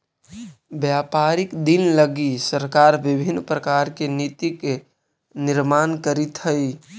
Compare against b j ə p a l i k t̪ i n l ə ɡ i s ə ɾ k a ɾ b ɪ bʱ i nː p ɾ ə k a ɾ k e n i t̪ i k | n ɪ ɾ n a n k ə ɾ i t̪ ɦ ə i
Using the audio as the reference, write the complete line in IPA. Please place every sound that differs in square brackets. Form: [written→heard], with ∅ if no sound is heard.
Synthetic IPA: b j [ə→a] p a [l→ɾ] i k [t̪→d̪] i n l ə ɡ i s ə ɾ k a ɾ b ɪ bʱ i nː p ɾ ə k a ɾ k e n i t̪ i k | n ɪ ɾ [n→m] a n k ə ɾ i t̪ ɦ ə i